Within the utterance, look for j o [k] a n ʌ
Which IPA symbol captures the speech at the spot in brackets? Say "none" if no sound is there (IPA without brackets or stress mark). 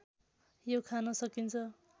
kʰ